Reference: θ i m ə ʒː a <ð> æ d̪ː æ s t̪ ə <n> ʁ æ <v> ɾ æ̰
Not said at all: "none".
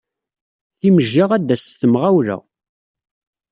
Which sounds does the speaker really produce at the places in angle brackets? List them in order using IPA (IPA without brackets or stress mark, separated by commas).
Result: ʁ, m, w